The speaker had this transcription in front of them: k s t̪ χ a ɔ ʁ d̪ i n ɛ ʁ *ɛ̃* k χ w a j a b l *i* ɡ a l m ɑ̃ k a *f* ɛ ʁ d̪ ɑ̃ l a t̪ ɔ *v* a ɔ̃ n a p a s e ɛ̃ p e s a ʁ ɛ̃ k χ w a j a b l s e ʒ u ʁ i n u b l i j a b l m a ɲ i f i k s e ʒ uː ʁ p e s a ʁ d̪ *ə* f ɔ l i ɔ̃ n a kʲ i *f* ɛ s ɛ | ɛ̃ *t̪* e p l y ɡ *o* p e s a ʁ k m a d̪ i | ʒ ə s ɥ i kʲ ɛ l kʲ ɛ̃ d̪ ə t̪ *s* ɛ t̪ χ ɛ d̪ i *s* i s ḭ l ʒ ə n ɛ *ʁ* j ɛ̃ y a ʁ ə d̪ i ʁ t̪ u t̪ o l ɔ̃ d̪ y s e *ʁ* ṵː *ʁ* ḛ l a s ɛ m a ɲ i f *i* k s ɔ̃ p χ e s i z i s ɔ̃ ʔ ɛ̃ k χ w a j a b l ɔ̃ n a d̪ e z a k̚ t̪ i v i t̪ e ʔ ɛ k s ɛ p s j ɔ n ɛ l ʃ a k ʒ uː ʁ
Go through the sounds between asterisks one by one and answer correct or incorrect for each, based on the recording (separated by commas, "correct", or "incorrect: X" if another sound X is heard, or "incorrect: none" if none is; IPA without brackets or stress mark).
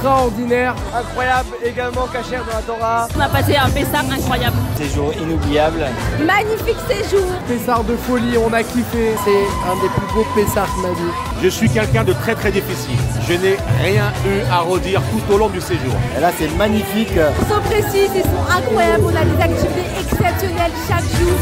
correct, incorrect: e, incorrect: ʃ, incorrect: ʁ, correct, correct, incorrect: d̪, correct, incorrect: χ, incorrect: f, correct, incorrect: ʒ, correct, correct